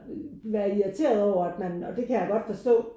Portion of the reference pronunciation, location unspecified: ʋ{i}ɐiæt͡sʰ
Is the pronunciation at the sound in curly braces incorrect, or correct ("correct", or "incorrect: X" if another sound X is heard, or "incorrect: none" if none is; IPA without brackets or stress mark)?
incorrect: æ